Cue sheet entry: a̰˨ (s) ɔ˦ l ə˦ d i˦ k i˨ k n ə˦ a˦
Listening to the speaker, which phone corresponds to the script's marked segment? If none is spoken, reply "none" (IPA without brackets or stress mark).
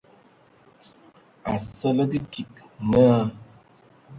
s